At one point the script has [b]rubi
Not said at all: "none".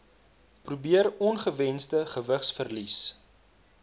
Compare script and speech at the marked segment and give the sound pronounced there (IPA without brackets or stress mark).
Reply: p